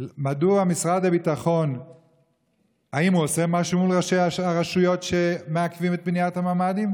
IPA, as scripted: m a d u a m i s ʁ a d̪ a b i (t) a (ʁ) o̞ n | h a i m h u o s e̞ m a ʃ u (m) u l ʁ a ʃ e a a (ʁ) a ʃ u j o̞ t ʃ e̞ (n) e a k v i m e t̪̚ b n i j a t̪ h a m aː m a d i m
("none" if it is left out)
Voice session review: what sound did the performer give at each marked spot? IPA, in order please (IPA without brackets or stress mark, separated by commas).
t, χ, m, ʁ, m